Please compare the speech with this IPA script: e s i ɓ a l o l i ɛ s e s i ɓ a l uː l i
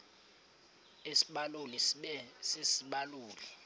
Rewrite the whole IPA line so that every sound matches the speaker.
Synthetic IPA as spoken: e s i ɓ a l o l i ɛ s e s i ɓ a l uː l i